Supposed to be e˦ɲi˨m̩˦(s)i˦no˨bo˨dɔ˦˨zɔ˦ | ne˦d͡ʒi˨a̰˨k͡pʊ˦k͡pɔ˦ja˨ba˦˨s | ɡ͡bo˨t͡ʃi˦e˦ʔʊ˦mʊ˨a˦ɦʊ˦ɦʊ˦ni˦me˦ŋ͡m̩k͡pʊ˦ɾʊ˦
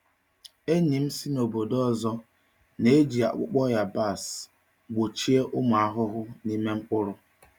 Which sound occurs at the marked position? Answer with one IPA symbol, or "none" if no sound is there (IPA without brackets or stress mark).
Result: s